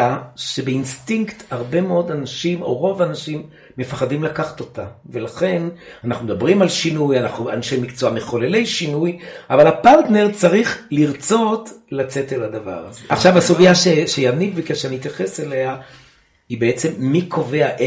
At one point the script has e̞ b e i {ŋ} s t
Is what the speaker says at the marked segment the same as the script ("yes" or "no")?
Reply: no